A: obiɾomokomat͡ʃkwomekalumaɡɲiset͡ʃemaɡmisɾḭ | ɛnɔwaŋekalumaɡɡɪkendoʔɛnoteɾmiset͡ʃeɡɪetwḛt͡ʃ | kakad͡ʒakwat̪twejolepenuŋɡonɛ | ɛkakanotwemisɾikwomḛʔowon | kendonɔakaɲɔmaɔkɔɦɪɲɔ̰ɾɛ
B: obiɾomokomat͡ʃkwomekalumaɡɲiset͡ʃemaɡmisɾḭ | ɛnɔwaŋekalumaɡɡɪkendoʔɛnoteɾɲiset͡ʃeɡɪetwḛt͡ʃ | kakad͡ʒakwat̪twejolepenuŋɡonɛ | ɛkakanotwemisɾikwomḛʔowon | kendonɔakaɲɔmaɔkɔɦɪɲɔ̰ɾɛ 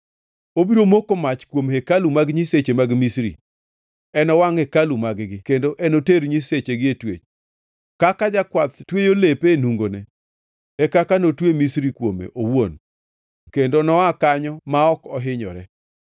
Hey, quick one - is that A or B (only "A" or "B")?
B